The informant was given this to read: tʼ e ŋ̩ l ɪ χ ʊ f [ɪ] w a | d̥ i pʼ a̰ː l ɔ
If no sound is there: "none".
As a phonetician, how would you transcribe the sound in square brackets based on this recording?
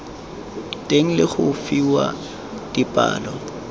i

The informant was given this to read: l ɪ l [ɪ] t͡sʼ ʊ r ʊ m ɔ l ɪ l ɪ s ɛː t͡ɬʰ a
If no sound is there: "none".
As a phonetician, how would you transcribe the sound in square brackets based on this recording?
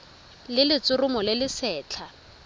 ɪ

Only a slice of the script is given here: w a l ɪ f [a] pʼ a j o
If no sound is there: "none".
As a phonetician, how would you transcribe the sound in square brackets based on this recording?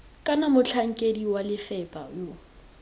ɛ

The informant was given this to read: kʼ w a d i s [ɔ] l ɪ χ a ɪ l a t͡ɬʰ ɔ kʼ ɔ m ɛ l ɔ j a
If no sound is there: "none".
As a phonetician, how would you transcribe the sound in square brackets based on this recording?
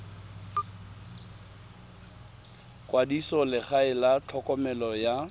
ɔ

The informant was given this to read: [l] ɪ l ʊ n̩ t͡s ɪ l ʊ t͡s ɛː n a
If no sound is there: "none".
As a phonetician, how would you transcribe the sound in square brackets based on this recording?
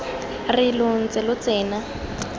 r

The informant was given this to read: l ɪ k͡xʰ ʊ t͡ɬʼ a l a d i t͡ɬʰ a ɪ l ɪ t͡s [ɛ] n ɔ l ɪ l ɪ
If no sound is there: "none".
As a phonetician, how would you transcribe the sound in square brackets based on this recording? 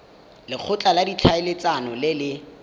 a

